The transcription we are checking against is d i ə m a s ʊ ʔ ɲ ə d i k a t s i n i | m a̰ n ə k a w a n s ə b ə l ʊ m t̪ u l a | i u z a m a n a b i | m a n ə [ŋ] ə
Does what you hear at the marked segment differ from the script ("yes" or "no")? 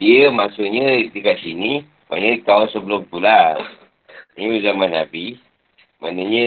yes